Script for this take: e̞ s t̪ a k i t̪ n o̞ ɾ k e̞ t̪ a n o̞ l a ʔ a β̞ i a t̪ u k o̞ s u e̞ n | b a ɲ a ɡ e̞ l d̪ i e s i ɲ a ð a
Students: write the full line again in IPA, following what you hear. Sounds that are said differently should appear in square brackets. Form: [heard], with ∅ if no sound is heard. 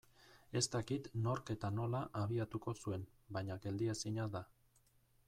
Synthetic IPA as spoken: e̞ s t̪ a k i t̪ n o̞ ɾ k e̞ t̪ a n o̞ l a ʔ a β̞ i a t̪ u k o̞ s u e̞ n | b a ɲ a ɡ e̞ l d̪ i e s i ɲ a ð a